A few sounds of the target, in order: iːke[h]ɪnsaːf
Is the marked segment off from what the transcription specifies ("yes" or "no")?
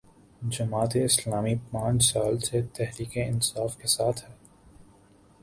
yes